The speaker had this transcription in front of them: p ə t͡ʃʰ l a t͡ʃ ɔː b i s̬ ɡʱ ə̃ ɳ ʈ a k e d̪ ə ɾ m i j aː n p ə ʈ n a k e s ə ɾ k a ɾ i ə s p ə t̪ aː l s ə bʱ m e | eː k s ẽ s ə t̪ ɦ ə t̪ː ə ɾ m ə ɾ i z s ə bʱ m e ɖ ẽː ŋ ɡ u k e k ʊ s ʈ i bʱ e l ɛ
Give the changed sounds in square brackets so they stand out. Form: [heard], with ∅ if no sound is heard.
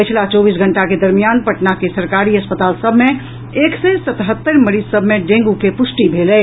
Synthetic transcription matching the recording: p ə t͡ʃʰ l a t͡ʃ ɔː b i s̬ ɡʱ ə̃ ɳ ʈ a k e d̪ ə ɾ m i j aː n p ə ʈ n a k e s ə ɾ k a ɾ i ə s p ə t̪ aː l s ə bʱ m e | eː k s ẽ s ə t̪ ɦ ə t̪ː ə ɾ m ə ɾ i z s ə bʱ m e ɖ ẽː ŋ ɡ u k e [p] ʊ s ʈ i bʱ e l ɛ